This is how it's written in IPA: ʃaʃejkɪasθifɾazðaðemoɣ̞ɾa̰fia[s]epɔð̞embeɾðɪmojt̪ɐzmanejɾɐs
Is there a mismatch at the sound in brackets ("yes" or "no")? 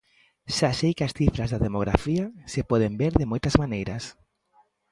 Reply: no